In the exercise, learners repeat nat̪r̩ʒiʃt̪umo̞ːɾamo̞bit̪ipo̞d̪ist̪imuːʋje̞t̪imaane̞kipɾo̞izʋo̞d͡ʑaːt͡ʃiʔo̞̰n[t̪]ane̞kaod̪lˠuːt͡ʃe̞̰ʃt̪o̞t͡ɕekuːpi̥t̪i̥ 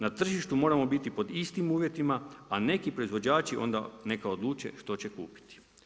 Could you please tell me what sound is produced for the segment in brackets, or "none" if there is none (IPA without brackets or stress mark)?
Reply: d̪